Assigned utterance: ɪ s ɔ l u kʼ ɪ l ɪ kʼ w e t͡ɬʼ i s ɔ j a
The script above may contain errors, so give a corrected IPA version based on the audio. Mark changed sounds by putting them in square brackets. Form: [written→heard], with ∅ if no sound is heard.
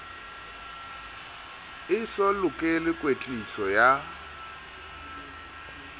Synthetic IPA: ɪ s ɔ l [u→ʊ] kʼ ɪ l ɪ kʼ w e t͡ɬʼ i s ɔ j a